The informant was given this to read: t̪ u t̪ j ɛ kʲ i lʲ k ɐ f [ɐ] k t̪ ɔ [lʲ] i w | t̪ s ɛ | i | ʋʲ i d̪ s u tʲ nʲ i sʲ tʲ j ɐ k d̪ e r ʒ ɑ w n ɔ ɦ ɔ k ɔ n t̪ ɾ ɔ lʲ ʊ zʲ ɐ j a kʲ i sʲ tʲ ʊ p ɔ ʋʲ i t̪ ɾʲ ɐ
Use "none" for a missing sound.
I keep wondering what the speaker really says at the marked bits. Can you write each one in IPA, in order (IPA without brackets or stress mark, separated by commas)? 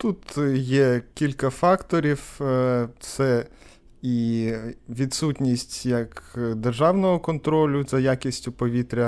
ɑ, ɾʲ